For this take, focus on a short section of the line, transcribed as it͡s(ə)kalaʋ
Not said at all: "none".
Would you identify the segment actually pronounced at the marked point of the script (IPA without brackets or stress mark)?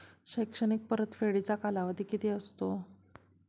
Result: a